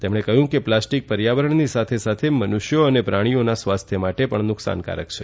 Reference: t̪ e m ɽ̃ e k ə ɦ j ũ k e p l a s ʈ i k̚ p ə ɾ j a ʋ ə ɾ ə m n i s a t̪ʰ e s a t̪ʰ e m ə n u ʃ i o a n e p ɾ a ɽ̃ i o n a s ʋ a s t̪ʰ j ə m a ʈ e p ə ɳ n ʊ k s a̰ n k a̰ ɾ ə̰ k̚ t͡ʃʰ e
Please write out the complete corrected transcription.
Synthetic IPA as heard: t̪ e m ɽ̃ e k ə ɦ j ũ k e p l a s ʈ i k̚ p ə ɾ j a ʋ ə ɾ ə ɳ n i s a t̪ʰ e s a t̪ʰ e m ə n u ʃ j o ə n e p ɾ a ɽ̃ i o n a s ʋ a s t̪ʰ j ə m a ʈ e p ə ɳ n ʊ k s a̰ n k a̰ ɾ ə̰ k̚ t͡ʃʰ e